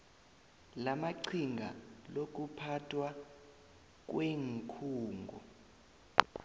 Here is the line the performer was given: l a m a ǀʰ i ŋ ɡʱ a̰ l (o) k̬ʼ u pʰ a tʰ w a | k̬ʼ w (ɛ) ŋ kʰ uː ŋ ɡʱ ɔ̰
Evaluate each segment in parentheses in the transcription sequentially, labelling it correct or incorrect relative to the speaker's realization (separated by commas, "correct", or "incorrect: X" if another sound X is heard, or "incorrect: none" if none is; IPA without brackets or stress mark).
correct, incorrect: e